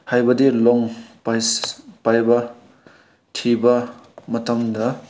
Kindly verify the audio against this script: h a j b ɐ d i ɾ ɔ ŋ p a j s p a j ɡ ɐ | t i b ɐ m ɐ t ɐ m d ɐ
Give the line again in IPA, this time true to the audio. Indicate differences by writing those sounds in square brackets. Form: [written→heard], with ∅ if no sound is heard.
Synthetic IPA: h a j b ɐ d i [ɾ→l] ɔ ŋ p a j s p a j [ɡ→b] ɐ | [t→tʰ] i b ɐ m ɐ t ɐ m d ɐ